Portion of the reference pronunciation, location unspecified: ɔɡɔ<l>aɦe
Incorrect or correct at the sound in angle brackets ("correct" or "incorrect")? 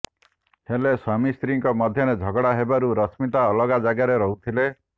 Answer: incorrect